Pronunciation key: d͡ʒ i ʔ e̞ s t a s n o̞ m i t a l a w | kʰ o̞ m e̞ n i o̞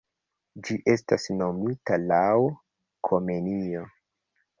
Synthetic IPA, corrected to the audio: d͡ʒ i ʔ e̞ s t a s n o̞ m i t a l a w | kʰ o̞ m e̞ n i o̞